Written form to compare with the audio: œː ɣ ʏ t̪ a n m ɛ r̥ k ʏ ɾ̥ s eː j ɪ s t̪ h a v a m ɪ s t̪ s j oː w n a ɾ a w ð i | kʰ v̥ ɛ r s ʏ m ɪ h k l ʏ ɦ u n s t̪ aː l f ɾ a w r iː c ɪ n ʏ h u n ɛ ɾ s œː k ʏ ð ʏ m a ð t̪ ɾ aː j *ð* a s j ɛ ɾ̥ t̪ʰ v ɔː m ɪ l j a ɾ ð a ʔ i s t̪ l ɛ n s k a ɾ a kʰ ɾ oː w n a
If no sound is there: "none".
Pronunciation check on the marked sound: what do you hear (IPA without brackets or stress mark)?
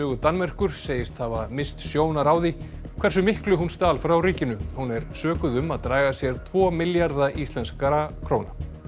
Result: ɣ